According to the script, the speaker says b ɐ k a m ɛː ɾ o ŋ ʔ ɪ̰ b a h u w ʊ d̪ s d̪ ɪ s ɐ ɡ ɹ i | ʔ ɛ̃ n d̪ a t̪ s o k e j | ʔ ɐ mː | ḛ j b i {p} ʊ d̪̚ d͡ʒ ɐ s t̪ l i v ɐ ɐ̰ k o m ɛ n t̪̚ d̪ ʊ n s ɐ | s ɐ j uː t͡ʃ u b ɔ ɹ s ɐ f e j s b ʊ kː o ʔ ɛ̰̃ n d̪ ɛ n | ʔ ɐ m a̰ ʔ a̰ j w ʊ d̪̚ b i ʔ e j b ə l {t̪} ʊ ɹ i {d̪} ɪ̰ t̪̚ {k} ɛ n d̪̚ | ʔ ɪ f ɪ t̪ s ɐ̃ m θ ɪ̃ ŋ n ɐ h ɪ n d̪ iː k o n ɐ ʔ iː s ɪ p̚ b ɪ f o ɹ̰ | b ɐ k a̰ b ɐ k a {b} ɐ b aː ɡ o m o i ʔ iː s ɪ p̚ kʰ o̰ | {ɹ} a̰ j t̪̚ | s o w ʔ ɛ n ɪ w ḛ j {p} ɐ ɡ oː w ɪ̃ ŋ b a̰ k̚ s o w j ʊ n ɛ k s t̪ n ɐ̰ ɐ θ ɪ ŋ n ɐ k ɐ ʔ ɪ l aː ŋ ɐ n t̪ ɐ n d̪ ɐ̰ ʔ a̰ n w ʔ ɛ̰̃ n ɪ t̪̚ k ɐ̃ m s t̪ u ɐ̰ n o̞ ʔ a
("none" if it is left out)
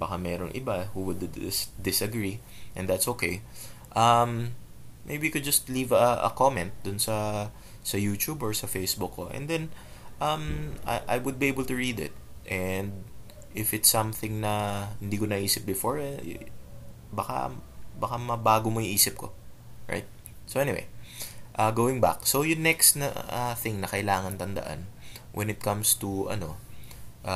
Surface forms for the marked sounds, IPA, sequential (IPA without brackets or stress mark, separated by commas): k, t̪, d̪, ʔ, m, ɹ, ʔ